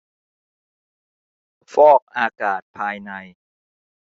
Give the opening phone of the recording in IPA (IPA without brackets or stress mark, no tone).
f